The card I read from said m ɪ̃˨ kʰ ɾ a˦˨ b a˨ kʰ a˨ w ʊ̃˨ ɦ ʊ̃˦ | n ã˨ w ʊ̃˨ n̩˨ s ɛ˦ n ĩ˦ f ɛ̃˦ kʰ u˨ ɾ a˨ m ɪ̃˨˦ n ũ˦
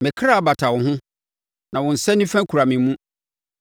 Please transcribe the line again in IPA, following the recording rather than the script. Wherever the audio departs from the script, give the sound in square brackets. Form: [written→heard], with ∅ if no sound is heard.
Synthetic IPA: m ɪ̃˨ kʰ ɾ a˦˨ b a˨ [kʰ→tʰ] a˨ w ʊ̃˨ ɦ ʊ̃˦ | n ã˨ w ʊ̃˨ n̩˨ s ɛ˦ n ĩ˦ f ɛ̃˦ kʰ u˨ ɾ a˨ m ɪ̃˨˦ [n→m] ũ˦